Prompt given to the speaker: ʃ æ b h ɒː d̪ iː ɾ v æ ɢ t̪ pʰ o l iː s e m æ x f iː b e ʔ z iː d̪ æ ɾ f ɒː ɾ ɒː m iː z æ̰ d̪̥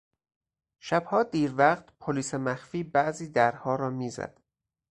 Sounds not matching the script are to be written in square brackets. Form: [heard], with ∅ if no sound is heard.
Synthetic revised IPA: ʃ æ b h ɒː d̪ iː ɾ v æ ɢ t̪ pʰ o l iː s e m æ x f iː b [æ] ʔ z iː d̪ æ ɾ [h] ɒː ɾ ɒː m iː z æ̰ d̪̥